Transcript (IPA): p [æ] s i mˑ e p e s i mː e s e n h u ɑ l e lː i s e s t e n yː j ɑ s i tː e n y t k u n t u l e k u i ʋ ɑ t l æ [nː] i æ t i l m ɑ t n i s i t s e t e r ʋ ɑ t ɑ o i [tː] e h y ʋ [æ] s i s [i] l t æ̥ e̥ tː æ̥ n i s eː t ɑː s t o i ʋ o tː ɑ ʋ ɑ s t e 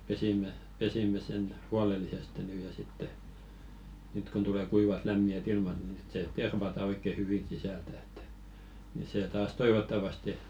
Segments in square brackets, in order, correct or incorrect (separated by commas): incorrect, incorrect, incorrect, incorrect, incorrect